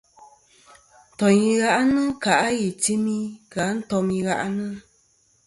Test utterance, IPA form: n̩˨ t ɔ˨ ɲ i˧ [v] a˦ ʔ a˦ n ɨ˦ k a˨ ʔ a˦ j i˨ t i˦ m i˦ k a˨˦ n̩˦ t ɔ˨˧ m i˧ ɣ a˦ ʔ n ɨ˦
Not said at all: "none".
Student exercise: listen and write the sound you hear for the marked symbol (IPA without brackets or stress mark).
ɣ